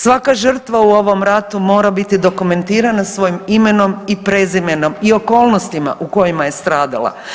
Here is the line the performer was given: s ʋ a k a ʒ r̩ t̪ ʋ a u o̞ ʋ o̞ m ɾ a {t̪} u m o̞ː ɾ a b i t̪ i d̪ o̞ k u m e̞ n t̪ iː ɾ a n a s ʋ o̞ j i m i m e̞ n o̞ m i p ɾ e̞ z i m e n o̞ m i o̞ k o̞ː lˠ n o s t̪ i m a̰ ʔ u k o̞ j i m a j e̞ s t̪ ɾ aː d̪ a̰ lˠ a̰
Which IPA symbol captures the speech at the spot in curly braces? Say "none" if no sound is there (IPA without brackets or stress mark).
t̪